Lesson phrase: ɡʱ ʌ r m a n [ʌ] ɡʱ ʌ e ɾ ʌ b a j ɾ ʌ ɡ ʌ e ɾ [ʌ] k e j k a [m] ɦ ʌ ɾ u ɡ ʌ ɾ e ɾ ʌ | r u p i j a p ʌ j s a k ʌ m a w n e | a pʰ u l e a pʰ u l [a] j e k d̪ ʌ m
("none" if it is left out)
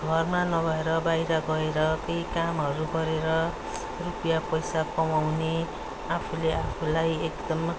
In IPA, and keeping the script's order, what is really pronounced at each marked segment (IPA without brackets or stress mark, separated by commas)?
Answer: ʌ, ʌ, m, a